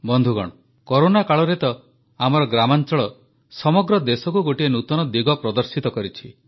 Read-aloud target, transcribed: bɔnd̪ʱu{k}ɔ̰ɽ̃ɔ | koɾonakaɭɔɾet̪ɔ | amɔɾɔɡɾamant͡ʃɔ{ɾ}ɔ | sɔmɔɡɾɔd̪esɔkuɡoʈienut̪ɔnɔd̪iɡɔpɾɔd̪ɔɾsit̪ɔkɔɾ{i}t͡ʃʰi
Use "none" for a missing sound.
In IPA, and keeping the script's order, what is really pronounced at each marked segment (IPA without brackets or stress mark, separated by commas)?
ɡ, ɭ, i